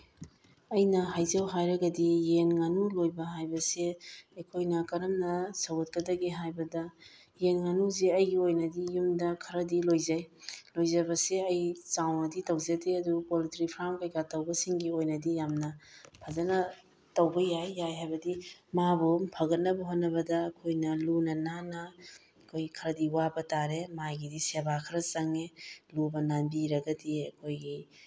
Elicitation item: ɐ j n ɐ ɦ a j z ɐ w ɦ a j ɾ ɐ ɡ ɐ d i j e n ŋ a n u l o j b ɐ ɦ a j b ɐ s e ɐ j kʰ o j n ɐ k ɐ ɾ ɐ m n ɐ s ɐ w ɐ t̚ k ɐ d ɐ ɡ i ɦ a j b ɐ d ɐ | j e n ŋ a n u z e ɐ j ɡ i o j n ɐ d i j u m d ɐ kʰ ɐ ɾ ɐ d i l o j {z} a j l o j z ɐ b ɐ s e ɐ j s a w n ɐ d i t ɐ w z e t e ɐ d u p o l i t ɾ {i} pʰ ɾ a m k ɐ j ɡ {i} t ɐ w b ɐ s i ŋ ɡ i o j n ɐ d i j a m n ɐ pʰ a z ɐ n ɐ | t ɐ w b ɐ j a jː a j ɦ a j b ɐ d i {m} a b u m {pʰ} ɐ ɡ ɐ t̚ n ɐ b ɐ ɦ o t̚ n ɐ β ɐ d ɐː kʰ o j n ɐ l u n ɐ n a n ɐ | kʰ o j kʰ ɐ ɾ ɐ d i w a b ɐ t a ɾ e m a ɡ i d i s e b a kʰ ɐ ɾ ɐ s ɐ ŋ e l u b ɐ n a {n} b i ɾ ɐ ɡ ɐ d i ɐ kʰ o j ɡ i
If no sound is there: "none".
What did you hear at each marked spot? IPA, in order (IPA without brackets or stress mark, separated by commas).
z, i, a, m, pʰ, n